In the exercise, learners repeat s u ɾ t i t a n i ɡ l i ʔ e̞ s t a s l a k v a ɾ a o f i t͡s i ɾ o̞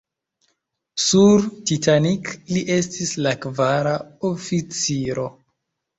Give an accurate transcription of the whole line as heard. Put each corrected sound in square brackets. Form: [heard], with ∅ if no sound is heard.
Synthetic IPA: s u ɾ t i t a n i [k] l i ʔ e̞ s t [i] s l a k v a ɾ a o f i t͡s i ɾ o̞